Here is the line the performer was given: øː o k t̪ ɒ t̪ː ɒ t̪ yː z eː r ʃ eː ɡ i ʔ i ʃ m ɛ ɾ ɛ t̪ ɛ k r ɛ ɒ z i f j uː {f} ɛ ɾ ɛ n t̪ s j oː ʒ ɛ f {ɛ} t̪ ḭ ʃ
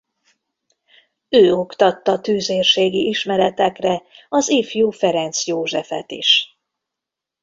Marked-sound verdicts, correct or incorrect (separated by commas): correct, correct